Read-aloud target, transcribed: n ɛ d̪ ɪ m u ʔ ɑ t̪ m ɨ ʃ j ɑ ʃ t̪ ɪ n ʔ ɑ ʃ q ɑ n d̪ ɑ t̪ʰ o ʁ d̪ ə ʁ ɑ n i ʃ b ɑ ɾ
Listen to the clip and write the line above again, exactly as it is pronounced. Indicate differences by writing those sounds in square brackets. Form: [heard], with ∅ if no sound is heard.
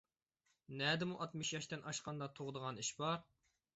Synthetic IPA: n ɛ d̪ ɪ m u ʔ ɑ t̪ m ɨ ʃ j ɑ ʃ t̪ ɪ n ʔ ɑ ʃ q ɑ n d̪ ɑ t̪ʰ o ʁ d̪ ə ʁ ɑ n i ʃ b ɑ ɾ